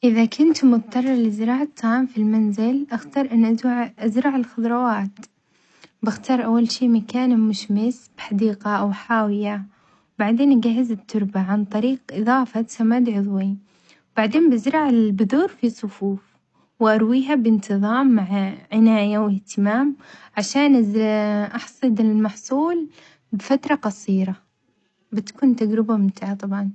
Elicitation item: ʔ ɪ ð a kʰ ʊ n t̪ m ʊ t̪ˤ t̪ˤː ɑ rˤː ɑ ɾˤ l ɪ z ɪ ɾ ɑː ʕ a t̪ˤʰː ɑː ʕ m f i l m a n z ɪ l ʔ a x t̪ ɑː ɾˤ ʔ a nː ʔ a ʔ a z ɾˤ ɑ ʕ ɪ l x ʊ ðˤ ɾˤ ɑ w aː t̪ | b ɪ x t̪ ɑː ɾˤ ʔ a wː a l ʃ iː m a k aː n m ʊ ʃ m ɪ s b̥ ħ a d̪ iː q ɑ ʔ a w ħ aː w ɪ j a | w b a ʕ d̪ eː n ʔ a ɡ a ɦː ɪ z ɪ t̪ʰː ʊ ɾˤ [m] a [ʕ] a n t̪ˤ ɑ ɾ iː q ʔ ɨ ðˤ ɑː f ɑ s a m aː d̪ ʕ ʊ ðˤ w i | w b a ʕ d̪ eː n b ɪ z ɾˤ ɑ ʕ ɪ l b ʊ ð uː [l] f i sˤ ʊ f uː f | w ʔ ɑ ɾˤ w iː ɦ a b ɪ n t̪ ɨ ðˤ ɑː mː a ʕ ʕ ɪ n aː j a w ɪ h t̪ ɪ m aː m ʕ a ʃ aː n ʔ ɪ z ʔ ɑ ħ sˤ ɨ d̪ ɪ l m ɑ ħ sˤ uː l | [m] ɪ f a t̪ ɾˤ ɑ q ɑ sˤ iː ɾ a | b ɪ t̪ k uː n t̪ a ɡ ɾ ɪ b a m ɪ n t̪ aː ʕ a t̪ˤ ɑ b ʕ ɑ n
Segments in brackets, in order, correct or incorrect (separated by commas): incorrect, correct, incorrect, incorrect